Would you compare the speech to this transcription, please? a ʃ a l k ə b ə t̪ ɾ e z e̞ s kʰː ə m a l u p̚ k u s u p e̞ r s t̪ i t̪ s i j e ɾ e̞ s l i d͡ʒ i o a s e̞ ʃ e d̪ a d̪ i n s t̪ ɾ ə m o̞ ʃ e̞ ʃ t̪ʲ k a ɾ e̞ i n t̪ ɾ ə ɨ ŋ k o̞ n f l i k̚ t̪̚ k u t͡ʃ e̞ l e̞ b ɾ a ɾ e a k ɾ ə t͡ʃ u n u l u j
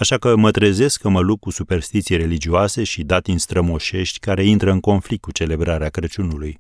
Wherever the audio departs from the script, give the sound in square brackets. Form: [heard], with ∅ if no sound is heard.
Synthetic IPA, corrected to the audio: a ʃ a [∅] k ə [m] ə t̪ ɾ e z e̞ s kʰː ə m [ə] l u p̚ k u s u p e̞ r s t̪ i t̪ s i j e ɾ e̞ [∅] l i d͡ʒ i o a s e̞ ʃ [i] d̪ a [t̪] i n s t̪ ɾ ə m o̞ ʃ e̞ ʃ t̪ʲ k a ɾ e̞ i n t̪ ɾ ə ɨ ŋ k o̞ n f l i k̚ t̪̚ k u t͡ʃ e̞ l e̞ b ɾ a ɾ e a k ɾ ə t͡ʃ u n u l u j